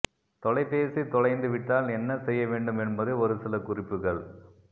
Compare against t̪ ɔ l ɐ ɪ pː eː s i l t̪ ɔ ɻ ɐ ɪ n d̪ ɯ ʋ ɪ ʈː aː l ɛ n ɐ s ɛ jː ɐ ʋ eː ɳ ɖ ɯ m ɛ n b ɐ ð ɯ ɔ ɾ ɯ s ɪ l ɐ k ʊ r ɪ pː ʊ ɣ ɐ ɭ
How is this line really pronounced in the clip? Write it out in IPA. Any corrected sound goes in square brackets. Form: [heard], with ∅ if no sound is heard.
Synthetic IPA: t̪ ɔ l ɐ ɪ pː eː s i [∅] t̪ ɔ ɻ ɐ ɪ n d̪ ɯ ʋ ɪ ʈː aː l ɛ [nː] ɐ s ɛ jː ɐ ʋ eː ɳ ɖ ɯ m ɛ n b ɐ ð ɯ ɔ ɾ ɯ s ɪ l ɐ k ʊ r ɪ pː [ɯ] ɣ ɐ ɭ